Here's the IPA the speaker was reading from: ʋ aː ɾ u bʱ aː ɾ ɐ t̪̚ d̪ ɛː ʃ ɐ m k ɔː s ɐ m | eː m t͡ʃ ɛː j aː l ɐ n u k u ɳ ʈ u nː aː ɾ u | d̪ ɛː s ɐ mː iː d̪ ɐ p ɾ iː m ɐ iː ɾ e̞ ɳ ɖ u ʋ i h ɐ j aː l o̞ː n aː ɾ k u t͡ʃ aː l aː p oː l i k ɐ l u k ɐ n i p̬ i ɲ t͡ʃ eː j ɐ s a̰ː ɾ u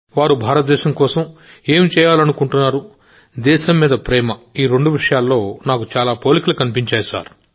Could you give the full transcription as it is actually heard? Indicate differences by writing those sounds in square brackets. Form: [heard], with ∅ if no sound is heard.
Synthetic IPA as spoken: ʋ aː ɾ u bʱ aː ɾ ɐ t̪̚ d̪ ɛː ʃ ɐ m k ɔː s ɐ m | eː m t͡ʃ ɛː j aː l ɐ n u k u ɳ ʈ u nː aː ɾ u | d̪ ɛː [ʃ] ɐ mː iː d̪ ɐ p ɾ [ɛː] m ɐ iː ɾ e̞ ɳ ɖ u ʋ i [ʂ] ɐ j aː [lː] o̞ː n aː [∅] k u t͡ʃ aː l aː p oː l i k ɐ l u k ɐ n i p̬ i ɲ t͡ʃ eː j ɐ s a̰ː ɾ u